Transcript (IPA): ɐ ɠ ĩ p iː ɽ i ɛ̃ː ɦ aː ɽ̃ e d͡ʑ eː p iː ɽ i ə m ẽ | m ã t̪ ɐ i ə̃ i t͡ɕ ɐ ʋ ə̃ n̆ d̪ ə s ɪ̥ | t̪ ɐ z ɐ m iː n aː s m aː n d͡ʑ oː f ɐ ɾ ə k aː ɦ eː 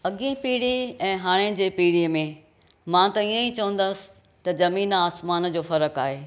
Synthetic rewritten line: ɐ ɠ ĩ p iː ɽ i ɛ̃ː ɦ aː ɽ̃ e d͡ʑ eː p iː ɽ i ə m ẽ | m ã t̪ ɐ i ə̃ i t͡ɕ ɐ ʋ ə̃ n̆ d̪ ə s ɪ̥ | t̪ ɐ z ɐ m iː n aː s m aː n d͡ʑ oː f ɐ ɾ ə k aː ɦ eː